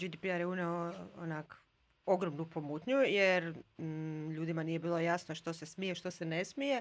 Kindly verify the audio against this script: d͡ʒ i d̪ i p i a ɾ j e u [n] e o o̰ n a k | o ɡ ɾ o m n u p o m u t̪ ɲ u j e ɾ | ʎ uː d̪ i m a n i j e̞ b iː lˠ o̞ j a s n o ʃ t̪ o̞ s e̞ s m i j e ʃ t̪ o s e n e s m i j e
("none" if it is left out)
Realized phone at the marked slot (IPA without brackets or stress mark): n